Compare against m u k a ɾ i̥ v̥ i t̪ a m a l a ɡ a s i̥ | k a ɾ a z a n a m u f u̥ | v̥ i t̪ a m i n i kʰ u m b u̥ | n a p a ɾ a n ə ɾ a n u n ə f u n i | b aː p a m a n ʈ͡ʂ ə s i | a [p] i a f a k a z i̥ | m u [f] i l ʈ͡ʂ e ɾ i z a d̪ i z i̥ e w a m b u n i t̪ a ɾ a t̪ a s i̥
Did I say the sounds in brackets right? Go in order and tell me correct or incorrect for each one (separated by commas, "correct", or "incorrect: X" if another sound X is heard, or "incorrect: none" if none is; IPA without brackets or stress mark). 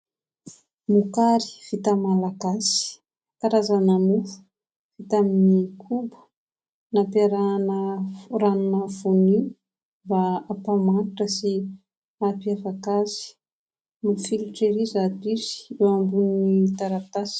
correct, correct